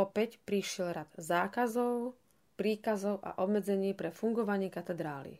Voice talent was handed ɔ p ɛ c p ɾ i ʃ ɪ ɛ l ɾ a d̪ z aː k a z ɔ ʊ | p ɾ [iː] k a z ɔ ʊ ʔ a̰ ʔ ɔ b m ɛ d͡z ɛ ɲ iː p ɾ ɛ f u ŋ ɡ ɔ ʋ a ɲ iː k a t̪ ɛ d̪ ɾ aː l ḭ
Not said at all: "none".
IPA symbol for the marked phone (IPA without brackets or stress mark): iː